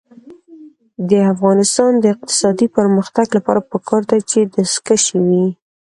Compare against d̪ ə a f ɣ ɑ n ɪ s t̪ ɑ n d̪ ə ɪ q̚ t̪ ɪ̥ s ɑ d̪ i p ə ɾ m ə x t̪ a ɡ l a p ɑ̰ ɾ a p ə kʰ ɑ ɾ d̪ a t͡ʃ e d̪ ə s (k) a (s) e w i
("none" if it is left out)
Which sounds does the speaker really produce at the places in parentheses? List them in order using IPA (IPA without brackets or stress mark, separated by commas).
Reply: k, ʃ